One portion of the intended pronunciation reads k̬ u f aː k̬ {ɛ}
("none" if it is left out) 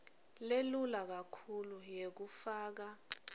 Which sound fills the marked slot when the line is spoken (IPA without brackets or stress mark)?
a